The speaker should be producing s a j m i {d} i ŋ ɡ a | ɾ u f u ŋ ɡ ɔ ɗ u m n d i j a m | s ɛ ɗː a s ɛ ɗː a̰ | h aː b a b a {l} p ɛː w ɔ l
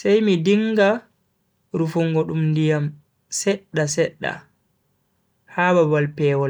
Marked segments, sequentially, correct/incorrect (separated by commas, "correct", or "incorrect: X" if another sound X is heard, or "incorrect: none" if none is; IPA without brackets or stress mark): correct, correct